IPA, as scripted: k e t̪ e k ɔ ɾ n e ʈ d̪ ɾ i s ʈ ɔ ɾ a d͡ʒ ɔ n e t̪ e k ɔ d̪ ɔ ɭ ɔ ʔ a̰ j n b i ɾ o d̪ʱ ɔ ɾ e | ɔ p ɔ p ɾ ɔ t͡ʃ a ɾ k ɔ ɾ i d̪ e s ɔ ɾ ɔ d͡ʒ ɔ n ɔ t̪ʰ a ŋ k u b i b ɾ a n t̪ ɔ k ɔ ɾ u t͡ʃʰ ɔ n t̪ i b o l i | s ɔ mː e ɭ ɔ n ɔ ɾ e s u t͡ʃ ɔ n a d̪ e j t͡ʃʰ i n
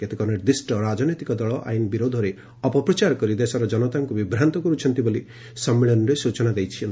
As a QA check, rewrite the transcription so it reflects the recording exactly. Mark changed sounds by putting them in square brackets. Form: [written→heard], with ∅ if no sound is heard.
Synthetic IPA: k e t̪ e k ɔ ɾ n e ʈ d̪ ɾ i s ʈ ɔ ɾ a d͡ʒ ɔ n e t̪ [e→i] k ɔ d̪ ɔ ɭ ɔ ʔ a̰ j n b i ɾ o d̪ʱ ɔ ɾ e | ɔ p ɔ p ɾ ɔ t͡ʃ a ɾ k ɔ ɾ i d̪ e s ɔ ɾ ɔ d͡ʒ ɔ n ɔ [t̪ʰ→t̪] a ŋ k u b i b ɾ a n t̪ ɔ k ɔ ɾ u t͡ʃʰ ɔ n t̪ i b o l i | s ɔ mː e ɭ ɔ n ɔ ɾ e s u t͡ʃ ɔ n a d̪ e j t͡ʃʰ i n